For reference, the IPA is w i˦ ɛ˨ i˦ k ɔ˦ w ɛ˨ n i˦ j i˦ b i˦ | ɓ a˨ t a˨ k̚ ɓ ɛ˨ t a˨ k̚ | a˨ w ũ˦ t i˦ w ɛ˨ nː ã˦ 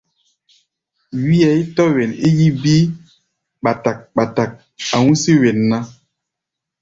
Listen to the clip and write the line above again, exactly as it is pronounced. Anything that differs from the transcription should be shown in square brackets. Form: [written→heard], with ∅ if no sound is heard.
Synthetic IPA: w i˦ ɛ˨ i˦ [k→t] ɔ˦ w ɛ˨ n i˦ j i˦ b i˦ | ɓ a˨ t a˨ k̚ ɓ [ɛ˨→a˨] t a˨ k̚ | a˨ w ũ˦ [t→s] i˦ w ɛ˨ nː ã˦